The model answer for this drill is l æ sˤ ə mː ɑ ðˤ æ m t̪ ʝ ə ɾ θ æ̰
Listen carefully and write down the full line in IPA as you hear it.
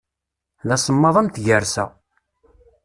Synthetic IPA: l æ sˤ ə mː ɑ ðˤ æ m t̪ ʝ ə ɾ s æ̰